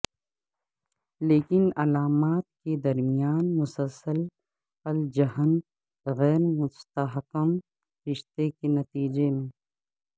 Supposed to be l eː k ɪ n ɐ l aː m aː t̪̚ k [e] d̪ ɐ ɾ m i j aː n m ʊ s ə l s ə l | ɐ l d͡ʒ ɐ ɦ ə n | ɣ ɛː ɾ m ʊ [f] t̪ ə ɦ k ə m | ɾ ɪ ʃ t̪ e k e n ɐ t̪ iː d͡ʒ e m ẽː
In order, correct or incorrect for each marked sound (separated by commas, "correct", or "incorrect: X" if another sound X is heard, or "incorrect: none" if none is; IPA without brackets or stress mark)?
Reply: correct, incorrect: s